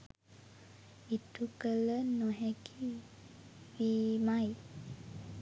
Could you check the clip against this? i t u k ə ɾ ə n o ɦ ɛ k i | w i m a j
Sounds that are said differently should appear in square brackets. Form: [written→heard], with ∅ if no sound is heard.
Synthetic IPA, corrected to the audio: i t u k ə [ɾ→l] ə n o ɦ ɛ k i | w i m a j